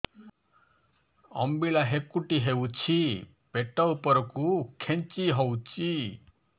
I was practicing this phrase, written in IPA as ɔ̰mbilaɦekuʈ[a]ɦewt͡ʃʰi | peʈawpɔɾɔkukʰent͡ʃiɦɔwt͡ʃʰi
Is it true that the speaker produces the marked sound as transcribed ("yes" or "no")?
no